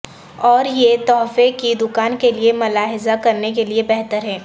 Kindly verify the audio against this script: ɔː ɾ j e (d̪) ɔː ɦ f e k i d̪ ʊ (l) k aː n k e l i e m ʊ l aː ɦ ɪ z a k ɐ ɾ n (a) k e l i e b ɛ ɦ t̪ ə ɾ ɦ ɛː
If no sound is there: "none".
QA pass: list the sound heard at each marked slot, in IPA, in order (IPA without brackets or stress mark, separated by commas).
t̪, none, e